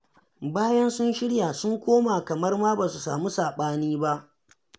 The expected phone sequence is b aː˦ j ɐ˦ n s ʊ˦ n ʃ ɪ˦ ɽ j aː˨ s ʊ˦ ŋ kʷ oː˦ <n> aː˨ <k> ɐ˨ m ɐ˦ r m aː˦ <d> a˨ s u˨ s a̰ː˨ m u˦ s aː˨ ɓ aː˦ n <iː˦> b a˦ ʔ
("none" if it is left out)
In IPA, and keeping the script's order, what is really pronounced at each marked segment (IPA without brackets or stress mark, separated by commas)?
m, k, b, iː˦